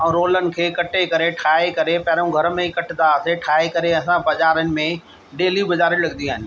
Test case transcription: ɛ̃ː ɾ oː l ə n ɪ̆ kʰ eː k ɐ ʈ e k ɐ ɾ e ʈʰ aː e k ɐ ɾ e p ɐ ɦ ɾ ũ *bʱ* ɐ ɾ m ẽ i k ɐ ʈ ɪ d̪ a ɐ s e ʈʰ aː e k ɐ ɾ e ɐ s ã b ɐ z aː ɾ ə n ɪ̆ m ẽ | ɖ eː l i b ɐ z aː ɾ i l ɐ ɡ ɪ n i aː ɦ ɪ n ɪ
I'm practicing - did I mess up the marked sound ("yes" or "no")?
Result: yes